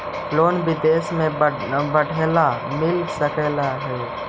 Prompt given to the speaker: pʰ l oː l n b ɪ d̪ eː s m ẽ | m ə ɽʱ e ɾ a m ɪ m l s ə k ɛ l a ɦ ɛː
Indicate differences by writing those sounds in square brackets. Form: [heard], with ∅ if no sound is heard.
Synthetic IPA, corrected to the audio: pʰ l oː [∅] n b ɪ d̪ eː s m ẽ | [b] ə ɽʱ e [l] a m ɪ [∅] l s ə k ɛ l a ɦ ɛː